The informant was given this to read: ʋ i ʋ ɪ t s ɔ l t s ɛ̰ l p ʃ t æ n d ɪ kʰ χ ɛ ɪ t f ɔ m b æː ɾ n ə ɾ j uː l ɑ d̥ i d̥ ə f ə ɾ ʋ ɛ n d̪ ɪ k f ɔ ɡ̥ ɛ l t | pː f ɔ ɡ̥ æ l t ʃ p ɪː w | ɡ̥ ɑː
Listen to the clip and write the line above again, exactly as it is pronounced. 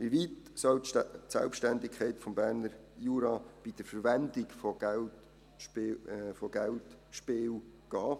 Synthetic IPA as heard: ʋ i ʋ i t s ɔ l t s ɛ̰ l p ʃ t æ n d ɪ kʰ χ ɛ ɪ t f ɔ m b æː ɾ n ə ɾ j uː ɾ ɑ b̥ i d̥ ə f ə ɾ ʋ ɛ n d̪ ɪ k f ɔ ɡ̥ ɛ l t | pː f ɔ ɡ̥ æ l t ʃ p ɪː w | ɡ̥ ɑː